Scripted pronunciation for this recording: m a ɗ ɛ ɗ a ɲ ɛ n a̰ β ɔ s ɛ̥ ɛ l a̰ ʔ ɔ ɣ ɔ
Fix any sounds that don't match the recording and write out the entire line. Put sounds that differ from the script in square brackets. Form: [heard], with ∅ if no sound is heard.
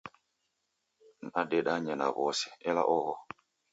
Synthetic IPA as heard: [n] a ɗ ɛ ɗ a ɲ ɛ n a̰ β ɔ s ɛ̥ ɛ l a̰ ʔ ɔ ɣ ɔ